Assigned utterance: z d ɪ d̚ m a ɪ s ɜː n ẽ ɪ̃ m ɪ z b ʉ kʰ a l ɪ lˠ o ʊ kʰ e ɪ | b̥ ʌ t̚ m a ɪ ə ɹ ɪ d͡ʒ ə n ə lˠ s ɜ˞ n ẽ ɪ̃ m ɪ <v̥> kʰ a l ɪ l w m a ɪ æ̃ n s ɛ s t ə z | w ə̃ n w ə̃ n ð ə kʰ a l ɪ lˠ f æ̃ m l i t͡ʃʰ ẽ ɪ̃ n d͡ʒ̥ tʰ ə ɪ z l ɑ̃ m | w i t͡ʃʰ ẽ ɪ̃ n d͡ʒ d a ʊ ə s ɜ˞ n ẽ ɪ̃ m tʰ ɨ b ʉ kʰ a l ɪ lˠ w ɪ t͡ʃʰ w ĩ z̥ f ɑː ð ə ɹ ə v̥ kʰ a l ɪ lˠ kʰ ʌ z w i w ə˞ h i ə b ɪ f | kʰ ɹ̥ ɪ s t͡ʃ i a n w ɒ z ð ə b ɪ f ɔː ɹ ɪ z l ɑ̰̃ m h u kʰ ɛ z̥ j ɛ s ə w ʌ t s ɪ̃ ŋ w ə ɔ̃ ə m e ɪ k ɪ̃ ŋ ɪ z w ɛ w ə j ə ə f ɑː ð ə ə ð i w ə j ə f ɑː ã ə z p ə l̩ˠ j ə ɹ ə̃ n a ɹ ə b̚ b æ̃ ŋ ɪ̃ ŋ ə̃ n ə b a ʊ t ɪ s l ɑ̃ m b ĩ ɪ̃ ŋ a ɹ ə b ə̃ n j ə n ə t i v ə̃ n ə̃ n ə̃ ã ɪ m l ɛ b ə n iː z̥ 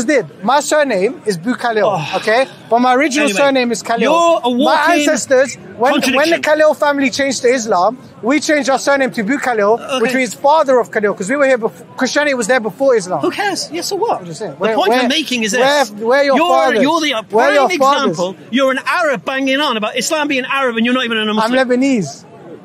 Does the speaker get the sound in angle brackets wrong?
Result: yes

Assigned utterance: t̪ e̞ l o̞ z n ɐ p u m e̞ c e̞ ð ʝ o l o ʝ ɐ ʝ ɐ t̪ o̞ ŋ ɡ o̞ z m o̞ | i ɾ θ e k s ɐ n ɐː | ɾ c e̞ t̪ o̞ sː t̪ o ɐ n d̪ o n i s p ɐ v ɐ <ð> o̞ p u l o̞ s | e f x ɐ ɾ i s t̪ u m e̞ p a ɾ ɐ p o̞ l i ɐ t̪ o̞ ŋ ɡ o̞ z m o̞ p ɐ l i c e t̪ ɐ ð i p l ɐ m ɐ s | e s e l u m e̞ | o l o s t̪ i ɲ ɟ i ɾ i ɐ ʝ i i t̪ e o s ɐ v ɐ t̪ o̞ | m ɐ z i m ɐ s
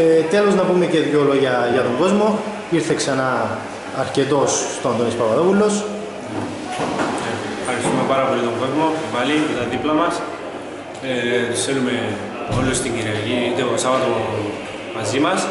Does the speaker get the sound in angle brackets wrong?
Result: no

